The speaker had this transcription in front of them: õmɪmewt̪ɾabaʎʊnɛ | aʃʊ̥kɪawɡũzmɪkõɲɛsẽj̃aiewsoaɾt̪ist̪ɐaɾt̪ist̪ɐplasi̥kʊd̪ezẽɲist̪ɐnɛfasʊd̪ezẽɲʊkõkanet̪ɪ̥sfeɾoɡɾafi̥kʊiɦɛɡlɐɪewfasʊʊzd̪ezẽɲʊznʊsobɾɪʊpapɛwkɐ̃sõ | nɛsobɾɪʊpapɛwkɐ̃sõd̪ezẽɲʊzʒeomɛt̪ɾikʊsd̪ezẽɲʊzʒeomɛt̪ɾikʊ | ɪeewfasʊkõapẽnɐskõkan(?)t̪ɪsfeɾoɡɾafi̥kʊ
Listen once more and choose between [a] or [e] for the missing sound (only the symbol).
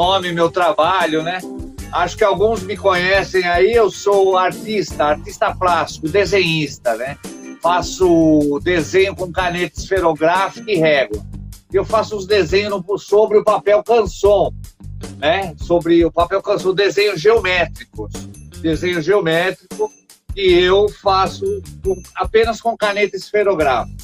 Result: e